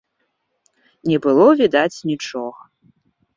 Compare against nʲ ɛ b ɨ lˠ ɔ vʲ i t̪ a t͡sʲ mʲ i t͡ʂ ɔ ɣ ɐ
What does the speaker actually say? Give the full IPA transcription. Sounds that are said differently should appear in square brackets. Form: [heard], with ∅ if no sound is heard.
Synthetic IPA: nʲ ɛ b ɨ lˠ ɔ vʲ i [d̪] a t͡sʲ [nʲ] i t͡ʂ ɔ ɣ ɐ